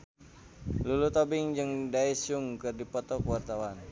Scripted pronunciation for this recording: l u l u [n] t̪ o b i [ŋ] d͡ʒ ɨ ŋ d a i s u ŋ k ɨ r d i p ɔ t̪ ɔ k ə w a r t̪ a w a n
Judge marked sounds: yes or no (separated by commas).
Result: no, yes